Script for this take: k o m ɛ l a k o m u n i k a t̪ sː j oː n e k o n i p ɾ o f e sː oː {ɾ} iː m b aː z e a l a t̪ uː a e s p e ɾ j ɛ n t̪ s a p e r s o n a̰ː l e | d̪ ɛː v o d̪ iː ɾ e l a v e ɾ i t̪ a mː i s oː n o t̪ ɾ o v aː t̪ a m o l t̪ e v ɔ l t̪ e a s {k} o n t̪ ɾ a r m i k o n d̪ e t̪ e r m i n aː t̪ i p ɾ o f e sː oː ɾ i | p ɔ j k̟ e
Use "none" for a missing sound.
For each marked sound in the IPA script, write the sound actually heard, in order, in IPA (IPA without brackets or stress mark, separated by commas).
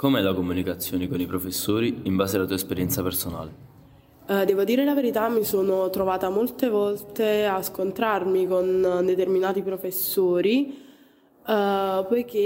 ɾ, k